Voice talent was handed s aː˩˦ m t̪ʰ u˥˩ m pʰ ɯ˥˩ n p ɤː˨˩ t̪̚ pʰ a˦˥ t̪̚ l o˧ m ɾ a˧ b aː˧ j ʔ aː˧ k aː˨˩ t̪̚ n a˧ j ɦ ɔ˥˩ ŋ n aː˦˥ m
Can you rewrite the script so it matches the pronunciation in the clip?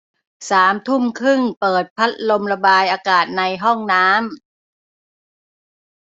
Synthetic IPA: s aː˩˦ m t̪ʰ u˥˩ m kʰ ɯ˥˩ ŋ p ɤː˨˩ t̪̚ pʰ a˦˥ t̪̚ l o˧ m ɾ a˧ b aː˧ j ʔ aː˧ k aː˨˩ t̪̚ n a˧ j ɦ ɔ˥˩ ŋ n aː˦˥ m

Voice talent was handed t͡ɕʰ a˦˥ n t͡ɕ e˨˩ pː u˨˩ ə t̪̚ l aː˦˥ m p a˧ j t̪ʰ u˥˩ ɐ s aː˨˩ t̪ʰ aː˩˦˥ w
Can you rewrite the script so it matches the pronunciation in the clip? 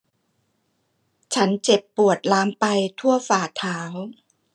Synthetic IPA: t͡ɕʰ a˦˥ n t͡ɕ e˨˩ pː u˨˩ ə t̪̚ l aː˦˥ m p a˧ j t̪ʰ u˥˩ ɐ f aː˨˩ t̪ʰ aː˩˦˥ w

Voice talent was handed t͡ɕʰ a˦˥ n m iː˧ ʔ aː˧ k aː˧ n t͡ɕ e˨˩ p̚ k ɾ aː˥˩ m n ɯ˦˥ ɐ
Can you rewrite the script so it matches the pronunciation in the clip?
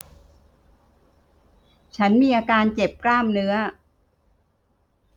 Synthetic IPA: t͡ɕʰ a˦˥ n m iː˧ ʔ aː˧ k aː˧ n t͡ɕ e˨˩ p̚ k l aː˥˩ m n ɯ˦˥ ɐ

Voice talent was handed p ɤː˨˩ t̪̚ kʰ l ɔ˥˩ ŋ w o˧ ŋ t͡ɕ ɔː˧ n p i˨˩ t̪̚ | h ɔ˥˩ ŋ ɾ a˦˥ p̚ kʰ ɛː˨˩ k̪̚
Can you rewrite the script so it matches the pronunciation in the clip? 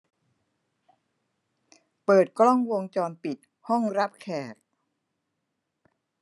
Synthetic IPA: p ɤː˨˩ t̪̚ k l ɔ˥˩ ŋ w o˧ ŋ t͡ɕ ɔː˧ n p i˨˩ t̪̚ | h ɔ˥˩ ŋ ɾ a˦˥ p̚ kʰ ɛː˨˩ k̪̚

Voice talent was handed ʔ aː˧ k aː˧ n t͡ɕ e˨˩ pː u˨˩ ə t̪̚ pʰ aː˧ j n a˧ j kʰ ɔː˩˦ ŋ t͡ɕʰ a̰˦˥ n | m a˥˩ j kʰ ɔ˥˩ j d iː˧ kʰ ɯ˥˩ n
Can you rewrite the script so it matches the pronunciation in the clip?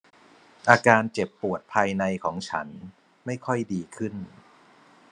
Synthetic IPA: ʔ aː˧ k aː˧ n t͡ɕ e˨˩ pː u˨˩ ə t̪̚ pʰ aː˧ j n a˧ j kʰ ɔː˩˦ ŋ t͡ɕʰ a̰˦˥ n | m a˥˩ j kʰ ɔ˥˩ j d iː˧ kʰ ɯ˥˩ n

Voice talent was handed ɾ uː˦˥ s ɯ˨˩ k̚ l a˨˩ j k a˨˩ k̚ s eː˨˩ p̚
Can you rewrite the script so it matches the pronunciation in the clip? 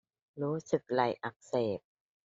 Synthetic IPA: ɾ uː˦˥ s ɯ˨˩ k̚ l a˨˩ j ʔ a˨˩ k̚ s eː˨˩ p̚

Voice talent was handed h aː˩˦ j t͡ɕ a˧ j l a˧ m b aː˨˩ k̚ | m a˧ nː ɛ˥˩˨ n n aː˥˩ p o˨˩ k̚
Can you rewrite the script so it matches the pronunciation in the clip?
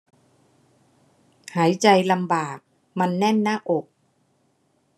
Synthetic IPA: h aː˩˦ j t͡ɕ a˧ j l a˧ m b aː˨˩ k̚ | m a˧ nː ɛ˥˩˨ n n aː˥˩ ʔ o˨˩ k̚

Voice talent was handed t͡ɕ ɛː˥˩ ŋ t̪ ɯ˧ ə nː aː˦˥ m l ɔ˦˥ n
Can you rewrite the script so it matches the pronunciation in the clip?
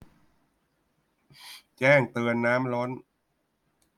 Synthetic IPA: t͡ɕ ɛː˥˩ ŋ t̪ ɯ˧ ə nː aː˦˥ m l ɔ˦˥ n

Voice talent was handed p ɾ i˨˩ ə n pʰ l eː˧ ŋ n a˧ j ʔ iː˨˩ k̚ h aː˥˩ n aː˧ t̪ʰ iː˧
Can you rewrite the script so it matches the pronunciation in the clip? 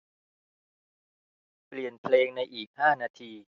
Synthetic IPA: p l i˨˩ ə n pʰ l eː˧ ŋ n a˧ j ʔ iː˨˩ k̚ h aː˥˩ n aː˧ t̪ʰ iː˧

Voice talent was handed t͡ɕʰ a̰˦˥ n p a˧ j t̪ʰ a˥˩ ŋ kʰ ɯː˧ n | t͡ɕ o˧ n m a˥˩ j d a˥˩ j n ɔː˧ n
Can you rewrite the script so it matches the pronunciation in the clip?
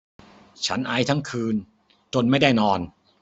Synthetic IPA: t͡ɕʰ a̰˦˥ n ʔ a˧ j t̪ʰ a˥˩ ŋ kʰ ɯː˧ n | t͡ɕ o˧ n m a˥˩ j d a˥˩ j n ɔː˧ n

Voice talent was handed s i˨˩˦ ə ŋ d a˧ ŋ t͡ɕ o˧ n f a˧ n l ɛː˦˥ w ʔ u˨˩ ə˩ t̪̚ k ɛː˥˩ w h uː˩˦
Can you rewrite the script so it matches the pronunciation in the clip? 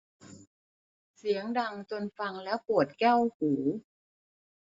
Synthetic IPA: s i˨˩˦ ə ŋ d a˧ ŋ t͡ɕ o˧ n f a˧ ŋ l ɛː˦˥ w p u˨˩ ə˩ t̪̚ k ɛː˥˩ w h uː˩˦

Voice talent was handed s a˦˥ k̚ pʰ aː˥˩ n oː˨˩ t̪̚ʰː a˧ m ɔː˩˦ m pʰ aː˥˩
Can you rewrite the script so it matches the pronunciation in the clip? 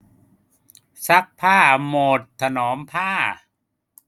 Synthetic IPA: s a˦˥ k̚ pʰ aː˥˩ m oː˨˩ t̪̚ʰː a˧ n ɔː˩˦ m pʰ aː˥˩

